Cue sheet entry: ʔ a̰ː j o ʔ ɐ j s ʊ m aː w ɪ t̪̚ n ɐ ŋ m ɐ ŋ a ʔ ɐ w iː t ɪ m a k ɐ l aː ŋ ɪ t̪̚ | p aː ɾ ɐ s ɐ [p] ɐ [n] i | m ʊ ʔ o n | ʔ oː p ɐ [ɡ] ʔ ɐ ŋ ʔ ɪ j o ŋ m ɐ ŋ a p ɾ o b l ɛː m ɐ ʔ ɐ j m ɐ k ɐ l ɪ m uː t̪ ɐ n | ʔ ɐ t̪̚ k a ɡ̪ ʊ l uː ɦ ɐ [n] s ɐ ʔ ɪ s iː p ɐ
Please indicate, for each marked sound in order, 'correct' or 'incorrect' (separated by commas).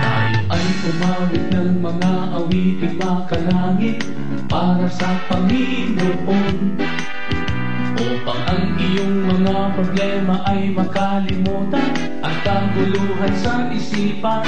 correct, incorrect, incorrect, correct